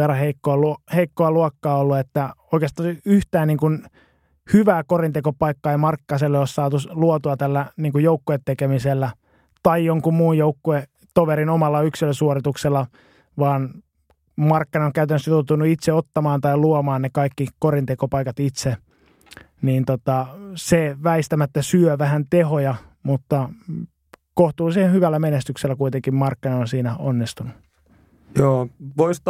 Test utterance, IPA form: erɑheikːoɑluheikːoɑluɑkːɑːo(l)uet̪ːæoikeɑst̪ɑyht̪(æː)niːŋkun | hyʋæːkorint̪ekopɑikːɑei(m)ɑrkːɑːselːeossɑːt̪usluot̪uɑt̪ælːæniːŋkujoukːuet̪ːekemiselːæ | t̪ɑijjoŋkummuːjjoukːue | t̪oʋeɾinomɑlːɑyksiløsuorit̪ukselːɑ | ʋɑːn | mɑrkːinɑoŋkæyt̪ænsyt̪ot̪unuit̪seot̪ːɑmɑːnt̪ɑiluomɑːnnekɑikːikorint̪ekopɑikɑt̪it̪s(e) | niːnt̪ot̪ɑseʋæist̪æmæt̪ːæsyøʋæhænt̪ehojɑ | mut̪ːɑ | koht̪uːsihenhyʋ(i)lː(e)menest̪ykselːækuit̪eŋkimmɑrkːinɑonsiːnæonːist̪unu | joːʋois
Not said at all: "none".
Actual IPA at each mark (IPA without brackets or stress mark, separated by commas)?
lː, æː, m, e, æ, æ